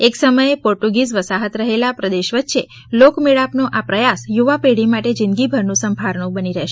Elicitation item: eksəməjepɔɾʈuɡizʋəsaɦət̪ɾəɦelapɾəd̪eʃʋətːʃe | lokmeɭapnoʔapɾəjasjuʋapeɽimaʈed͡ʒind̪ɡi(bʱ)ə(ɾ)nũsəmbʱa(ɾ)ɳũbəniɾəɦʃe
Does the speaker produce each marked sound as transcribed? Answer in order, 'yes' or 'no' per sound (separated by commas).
yes, yes, yes